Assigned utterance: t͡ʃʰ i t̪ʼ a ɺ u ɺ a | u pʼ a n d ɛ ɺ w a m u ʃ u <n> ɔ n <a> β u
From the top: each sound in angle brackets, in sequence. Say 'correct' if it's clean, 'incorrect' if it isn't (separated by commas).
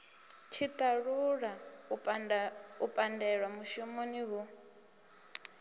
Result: incorrect, incorrect